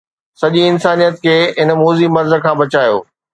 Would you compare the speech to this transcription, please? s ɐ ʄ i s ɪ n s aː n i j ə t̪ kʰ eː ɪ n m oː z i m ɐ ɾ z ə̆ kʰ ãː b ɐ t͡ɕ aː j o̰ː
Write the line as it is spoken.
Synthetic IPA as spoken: s ɐ ʄ i ɪ n s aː n i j ə t̪ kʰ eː ɪ n m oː z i m ɐ ɾ z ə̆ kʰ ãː b ɐ t͡ɕ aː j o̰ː